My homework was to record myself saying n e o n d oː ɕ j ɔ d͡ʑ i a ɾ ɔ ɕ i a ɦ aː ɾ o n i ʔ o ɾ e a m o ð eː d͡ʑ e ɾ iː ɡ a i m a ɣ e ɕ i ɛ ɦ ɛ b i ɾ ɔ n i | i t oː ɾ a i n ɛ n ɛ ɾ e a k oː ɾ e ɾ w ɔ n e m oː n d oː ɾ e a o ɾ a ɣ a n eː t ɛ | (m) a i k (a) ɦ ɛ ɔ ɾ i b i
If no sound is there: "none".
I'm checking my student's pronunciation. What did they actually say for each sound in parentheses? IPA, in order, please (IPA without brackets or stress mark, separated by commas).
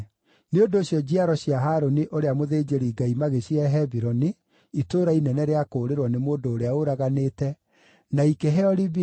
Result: n, e